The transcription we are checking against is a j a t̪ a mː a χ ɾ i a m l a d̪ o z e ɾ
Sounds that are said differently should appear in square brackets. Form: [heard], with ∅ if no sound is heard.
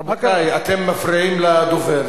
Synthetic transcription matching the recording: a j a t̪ [e] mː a [f] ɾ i [i] m l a d̪ o [v] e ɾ